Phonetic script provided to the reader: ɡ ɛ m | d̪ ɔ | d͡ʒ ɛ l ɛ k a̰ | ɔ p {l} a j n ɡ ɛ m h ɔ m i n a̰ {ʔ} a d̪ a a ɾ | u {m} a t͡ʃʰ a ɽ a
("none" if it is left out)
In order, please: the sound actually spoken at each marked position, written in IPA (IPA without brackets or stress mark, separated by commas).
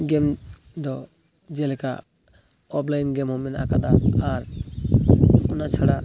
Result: l, k, n